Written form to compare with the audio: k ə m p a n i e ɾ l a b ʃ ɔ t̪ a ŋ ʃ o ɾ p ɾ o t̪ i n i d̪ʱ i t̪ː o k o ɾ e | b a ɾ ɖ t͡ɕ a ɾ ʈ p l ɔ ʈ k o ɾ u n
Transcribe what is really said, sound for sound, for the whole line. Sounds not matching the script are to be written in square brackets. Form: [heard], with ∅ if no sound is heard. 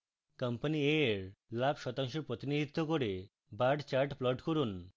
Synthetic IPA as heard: k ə m p a n i e ɾ l a b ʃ ɔ t̪ a ŋ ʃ o ɾ p ɾ o t̪ i n i d̪ʱ i t̪ː o k o ɾ e | b a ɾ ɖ t͡ɕ a ɾ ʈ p l ɔ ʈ k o ɾ u n